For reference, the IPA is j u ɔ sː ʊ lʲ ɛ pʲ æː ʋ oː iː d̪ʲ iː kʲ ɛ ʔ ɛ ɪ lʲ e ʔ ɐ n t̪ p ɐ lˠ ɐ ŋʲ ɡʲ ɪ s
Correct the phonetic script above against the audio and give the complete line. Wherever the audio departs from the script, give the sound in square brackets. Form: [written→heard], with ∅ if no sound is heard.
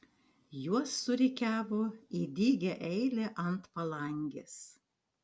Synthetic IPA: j u ɔ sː ʊ [lʲ→ɾʲ] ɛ [pʲ→kʲ] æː ʋ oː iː d̪ʲ iː [kʲ→ɡʲ] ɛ ʔ ɛ ɪ lʲ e ʔ ɐ n t̪ p ɐ lˠ ɐ ŋʲ ɡʲ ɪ s